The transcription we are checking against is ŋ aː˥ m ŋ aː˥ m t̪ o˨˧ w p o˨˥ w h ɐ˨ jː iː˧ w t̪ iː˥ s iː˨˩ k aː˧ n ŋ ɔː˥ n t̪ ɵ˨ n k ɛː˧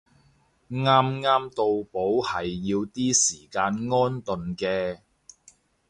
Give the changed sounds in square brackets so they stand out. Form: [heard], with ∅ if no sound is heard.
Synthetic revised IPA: ŋ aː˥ m ŋ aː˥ m t̪ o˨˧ w p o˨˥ w h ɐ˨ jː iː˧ w t̪ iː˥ s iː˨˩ k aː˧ n ŋ ɔː˥ n t̪ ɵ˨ n k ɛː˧